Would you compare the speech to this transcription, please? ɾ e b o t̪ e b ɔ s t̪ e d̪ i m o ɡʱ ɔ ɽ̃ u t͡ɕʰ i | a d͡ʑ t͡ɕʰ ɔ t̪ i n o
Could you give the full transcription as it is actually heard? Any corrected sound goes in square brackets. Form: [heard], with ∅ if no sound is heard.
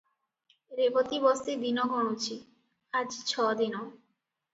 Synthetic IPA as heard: ɾ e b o t̪ [i] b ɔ s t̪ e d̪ i [n] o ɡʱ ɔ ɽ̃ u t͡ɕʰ i | a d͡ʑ t͡ɕʰ ɔ [d̪] i n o